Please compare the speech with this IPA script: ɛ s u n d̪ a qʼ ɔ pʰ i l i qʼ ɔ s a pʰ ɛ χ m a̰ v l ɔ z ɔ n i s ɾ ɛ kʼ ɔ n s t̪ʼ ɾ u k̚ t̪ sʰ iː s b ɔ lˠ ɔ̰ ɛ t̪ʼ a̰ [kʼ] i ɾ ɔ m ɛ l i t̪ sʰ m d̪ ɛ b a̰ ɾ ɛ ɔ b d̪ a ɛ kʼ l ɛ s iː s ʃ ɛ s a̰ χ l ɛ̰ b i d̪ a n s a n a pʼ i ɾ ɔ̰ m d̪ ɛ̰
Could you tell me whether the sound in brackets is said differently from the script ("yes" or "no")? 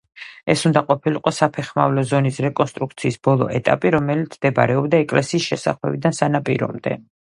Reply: yes